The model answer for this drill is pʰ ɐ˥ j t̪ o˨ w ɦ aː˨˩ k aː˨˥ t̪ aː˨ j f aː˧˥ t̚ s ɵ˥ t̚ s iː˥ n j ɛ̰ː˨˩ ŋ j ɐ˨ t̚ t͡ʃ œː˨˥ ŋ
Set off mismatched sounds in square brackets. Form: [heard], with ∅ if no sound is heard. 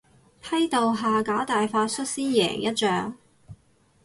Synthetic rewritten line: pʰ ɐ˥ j t̪ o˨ w ɦ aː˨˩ k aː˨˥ t̪ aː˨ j f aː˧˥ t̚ s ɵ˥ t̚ s iː˥ n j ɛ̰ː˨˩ ŋ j [ɐ˥] t̚ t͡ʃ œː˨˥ ŋ